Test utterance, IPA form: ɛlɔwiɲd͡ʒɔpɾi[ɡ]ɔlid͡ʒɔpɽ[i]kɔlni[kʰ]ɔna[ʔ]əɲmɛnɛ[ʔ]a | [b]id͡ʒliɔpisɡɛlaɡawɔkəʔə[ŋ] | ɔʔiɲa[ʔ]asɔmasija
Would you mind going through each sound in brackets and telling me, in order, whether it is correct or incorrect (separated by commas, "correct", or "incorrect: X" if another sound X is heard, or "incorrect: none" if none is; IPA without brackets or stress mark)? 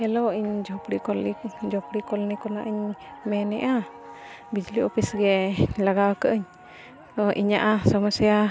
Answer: incorrect: k, correct, incorrect: k, correct, correct, correct, incorrect: ɲ, correct